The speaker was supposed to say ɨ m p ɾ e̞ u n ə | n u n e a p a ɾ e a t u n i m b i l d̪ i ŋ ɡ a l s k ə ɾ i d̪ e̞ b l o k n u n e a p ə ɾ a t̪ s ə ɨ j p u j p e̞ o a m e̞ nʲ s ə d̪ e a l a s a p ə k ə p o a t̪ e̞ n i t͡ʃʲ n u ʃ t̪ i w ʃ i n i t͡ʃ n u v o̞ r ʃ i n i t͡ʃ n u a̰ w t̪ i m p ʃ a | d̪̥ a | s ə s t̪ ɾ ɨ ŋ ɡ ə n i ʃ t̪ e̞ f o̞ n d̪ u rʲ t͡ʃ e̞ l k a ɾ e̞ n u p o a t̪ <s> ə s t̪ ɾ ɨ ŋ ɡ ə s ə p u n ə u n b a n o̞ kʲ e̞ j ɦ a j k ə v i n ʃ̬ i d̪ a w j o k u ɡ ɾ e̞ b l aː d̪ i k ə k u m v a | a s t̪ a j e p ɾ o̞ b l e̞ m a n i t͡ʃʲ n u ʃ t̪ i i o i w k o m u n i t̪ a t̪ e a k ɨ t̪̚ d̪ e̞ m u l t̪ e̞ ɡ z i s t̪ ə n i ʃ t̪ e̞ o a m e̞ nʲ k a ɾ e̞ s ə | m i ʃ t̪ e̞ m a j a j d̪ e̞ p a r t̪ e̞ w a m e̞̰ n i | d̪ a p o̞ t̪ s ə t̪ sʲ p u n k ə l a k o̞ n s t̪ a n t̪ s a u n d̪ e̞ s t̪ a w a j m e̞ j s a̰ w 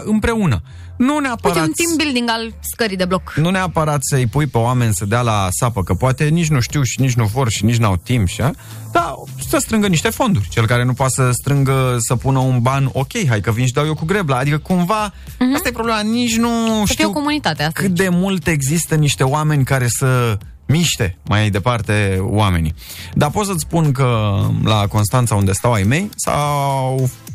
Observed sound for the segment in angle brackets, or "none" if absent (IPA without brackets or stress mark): s